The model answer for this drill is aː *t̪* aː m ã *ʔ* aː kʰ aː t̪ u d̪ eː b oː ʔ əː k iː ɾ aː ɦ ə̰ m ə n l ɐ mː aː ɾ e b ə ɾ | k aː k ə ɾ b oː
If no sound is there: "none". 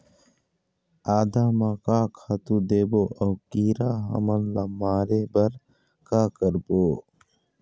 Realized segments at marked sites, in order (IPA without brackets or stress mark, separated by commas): d̪, k